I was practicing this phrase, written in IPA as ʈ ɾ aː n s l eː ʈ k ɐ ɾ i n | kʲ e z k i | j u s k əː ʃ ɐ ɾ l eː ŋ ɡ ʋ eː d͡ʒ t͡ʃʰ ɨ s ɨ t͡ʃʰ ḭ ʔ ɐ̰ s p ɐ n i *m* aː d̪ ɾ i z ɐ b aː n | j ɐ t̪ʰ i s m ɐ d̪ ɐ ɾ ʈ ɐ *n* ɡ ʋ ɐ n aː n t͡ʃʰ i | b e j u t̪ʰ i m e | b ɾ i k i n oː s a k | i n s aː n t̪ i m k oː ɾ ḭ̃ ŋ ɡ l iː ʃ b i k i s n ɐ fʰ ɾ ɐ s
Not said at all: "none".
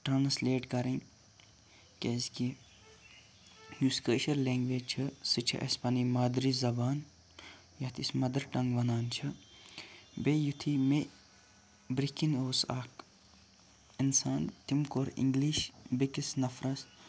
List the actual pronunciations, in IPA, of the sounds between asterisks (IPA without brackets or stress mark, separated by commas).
m, ŋ